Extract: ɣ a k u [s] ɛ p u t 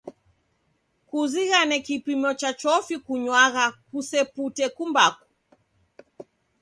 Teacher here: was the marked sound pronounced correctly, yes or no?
yes